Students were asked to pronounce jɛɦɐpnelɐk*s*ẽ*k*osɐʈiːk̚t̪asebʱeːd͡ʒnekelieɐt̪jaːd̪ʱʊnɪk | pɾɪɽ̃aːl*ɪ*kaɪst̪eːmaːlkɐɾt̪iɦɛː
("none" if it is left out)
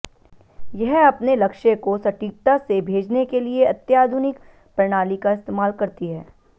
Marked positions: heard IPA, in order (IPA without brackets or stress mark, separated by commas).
ʃ, k, i